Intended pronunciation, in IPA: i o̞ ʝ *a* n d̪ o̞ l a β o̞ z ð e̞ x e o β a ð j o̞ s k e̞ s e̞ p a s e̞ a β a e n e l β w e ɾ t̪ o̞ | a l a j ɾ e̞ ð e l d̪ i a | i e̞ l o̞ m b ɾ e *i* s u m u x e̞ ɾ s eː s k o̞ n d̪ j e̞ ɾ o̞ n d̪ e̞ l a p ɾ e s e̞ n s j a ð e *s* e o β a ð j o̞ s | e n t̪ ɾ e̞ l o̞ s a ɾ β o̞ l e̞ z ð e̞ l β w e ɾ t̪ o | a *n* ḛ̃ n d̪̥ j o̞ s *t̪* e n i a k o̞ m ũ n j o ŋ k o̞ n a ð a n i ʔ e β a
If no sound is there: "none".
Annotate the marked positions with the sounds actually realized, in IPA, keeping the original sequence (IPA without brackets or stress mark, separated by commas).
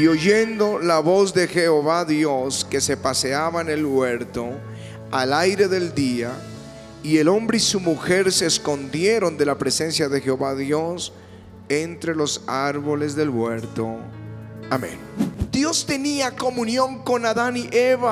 e, i, x, m, t̪